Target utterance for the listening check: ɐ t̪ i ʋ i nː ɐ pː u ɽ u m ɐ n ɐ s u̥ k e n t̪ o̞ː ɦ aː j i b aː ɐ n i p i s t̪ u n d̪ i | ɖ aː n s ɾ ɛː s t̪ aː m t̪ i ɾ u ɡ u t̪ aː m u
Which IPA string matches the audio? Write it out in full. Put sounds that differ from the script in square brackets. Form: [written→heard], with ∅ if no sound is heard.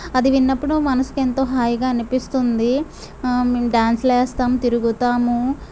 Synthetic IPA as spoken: ɐ [t̪→d̪] i ʋ i nː ɐ pː u ɽ u m ɐ n ɐ s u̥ k e n t̪ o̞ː ɦ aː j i [b→ɡ] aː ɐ n i p i s t̪ u n d̪ i | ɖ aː n s [ɾ→l] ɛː s t̪ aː m t̪ i ɾ u ɡ u t̪ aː m u